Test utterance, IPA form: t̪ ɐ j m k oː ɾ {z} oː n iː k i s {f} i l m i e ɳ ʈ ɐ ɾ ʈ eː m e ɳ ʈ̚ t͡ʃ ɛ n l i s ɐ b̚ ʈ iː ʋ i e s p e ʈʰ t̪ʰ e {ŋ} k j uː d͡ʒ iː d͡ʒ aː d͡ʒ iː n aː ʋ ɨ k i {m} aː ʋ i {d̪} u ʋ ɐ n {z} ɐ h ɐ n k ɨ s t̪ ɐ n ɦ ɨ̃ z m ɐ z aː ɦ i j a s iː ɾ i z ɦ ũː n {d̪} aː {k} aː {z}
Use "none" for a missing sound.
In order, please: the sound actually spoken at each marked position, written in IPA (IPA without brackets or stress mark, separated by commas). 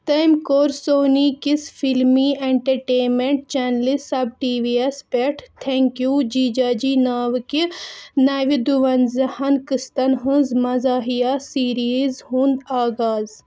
s, f, ŋ, n, d̪, z, d̪, ɡ, z